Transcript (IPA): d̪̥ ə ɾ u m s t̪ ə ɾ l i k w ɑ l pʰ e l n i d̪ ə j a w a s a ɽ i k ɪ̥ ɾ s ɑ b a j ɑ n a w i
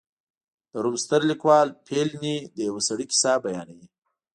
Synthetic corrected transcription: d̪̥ ə ɾ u m s t̪ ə ɾ l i k w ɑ l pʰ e l n i d̪ ə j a w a s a ɽ i k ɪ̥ s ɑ b a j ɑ n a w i